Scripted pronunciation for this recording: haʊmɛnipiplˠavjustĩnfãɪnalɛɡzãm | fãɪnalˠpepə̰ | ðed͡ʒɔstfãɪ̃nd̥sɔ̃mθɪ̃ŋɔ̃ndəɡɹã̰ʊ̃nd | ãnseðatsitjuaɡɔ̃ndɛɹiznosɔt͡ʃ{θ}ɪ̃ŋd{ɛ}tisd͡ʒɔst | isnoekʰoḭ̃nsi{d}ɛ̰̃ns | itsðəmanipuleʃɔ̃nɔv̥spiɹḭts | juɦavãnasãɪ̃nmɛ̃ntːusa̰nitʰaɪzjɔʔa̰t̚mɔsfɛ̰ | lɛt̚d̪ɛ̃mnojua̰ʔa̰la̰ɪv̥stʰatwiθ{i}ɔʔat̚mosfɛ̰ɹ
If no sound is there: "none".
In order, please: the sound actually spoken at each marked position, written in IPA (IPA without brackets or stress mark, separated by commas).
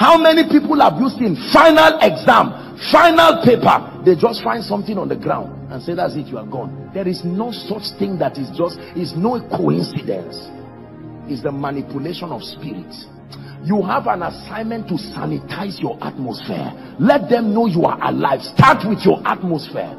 θ, a, d, j